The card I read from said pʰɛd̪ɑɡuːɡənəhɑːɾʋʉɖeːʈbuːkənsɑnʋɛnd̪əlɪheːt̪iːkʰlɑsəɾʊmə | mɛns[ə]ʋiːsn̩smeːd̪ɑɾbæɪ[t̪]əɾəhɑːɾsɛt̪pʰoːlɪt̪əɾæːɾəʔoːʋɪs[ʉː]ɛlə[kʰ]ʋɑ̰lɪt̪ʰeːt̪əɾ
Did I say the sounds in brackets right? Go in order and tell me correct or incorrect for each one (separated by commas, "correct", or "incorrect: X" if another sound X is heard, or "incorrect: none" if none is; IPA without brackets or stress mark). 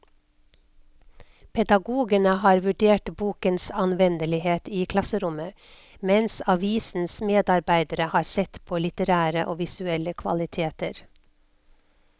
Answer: incorrect: ɑ, incorrect: d̪, incorrect: ʉ, correct